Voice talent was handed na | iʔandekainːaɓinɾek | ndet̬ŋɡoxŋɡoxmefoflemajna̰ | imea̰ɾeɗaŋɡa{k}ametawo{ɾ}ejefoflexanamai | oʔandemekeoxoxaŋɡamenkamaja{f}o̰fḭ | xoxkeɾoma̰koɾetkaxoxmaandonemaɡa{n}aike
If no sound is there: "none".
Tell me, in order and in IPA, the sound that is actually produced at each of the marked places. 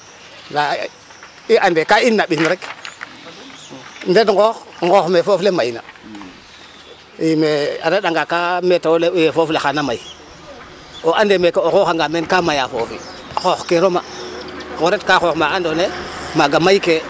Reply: k, l, f, m

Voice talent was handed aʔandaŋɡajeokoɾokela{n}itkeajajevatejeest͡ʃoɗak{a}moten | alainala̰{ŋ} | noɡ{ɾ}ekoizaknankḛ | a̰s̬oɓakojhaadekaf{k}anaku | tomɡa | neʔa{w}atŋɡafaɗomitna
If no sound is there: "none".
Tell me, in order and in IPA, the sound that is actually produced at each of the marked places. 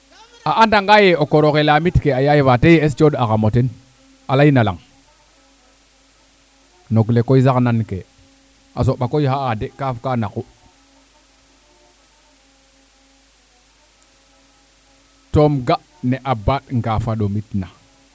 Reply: m, a, ŋ, l, k, b

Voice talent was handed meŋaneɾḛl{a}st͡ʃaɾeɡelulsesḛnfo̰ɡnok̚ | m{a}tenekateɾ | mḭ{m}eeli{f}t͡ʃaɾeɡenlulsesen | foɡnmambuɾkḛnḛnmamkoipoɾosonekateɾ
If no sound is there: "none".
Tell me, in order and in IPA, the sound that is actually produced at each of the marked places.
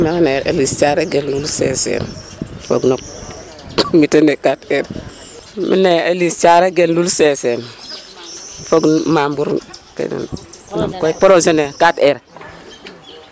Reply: i, i, n, s

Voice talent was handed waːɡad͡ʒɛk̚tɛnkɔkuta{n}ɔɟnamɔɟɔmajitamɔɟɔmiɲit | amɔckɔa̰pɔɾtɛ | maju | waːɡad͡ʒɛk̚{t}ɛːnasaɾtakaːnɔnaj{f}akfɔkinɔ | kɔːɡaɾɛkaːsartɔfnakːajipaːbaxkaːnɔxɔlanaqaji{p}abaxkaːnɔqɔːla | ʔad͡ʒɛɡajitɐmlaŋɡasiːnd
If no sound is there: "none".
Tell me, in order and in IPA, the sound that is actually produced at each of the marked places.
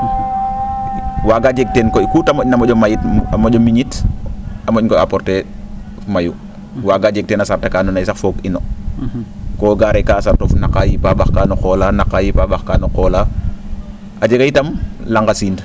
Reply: m, t, s, p

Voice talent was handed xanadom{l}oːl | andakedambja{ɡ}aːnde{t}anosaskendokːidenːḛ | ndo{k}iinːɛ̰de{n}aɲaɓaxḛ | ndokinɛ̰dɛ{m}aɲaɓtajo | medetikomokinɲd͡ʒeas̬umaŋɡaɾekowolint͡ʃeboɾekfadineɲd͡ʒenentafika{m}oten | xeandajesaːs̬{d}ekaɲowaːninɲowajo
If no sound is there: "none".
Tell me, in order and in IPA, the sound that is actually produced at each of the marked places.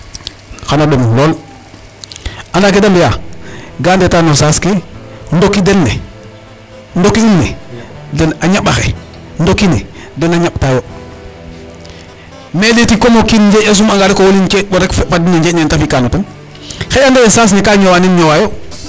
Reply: l, ɡ, t, k, n, n, n, n

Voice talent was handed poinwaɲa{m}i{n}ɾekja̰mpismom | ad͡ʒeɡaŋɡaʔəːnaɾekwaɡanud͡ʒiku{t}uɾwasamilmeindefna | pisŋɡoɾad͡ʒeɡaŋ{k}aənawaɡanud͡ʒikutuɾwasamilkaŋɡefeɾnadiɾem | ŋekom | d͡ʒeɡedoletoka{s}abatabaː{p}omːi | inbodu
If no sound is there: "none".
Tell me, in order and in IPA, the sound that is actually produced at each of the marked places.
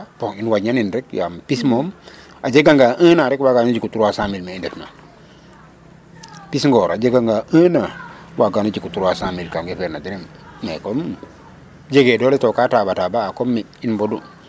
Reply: n, n, t, ɡ, t, k

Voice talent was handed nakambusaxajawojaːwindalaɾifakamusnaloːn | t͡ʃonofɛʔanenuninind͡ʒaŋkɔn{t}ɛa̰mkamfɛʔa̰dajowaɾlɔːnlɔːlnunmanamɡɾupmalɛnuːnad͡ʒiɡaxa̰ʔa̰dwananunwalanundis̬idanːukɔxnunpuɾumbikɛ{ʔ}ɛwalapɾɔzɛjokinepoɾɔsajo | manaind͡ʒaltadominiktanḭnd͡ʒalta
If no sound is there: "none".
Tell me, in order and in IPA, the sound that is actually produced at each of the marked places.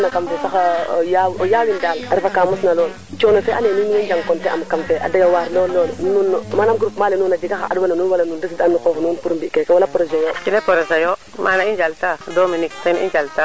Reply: t, k

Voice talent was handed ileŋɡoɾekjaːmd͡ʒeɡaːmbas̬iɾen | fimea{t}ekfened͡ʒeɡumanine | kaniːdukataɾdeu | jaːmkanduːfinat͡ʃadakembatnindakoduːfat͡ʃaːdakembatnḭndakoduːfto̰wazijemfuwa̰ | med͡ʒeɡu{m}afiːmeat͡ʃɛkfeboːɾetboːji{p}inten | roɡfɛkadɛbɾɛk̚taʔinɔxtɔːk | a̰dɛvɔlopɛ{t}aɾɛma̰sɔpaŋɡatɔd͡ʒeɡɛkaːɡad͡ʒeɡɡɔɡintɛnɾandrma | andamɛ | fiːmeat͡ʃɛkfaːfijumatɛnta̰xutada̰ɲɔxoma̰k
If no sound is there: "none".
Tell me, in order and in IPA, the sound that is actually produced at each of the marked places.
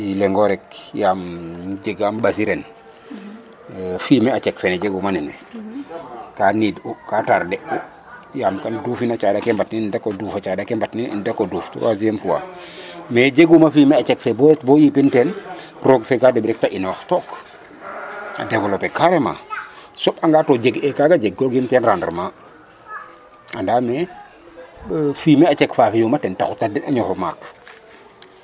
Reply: t͡ʃ, m, p, k

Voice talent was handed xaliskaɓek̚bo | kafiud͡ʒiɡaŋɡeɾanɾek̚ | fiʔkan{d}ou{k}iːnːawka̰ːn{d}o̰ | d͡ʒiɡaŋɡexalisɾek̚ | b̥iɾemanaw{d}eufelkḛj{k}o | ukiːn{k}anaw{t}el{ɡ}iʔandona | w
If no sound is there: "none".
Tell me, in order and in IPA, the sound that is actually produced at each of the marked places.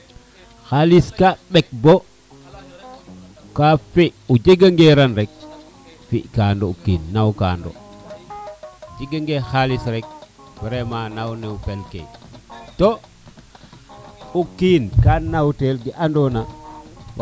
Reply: d, k, d, n, t, k, t, ɡ

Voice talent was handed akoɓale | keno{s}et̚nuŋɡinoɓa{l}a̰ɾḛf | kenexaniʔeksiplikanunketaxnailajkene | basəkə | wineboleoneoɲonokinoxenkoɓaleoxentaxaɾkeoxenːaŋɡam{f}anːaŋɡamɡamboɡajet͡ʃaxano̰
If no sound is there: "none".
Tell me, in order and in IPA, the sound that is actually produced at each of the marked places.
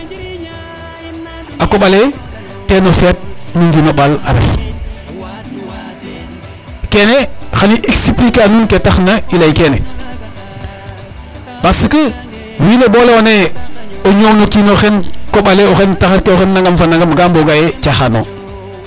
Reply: f, l, f

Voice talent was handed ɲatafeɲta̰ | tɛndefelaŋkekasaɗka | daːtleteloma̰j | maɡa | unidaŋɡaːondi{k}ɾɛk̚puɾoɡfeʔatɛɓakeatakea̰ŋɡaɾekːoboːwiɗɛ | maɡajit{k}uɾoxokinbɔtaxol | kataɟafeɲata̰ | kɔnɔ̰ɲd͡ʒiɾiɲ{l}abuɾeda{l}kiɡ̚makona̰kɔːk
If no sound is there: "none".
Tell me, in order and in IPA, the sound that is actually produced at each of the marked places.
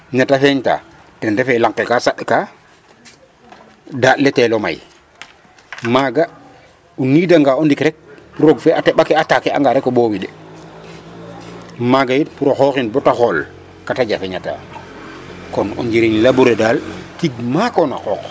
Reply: k, p, l, l

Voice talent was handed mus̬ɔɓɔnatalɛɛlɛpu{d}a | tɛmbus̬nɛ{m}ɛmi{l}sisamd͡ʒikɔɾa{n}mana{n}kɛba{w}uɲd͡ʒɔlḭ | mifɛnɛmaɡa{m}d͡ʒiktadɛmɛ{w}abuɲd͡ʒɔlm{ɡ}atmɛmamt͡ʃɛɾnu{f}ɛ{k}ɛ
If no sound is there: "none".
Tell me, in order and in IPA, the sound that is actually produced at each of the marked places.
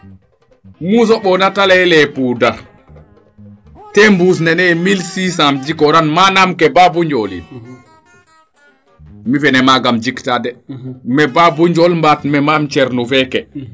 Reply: d, n, l, n, m, b, m, b, b, f, k

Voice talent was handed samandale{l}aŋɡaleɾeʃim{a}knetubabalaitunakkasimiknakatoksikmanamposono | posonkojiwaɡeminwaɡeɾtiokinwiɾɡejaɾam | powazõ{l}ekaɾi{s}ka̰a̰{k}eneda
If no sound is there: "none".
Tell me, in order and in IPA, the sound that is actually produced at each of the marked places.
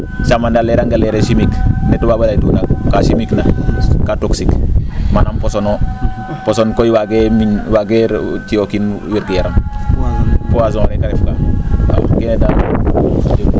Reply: ɾ, i, ɾ, f, k

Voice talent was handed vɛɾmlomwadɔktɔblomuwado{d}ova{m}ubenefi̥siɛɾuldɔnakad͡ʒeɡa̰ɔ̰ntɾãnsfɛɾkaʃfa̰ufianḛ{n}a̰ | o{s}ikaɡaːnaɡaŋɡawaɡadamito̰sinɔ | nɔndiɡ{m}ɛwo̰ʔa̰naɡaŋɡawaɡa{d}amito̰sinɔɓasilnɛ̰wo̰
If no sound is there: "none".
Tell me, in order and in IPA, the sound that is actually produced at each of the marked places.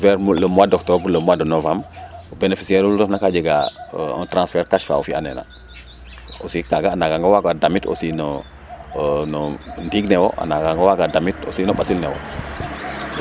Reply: n, m, n, s, n, d

